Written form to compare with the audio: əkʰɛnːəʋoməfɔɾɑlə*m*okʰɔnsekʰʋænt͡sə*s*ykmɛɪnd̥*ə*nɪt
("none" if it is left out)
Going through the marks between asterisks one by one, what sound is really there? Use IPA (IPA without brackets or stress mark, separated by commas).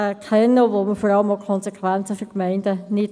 m, f, ə